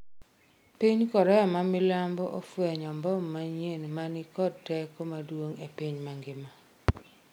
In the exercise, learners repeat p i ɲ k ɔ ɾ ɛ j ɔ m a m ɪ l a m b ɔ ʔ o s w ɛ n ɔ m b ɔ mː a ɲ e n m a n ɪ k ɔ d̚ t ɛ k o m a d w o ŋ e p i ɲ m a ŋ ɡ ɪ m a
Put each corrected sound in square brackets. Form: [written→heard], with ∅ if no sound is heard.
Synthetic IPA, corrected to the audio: p i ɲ k ɔ ɾ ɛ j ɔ m a m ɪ l a m b ɔ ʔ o [s→f] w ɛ [n→ɲ] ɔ m b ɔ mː a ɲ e n m a n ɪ k ɔ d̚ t ɛ k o m a d w o ŋ e p i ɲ m a ŋ ɡ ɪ m a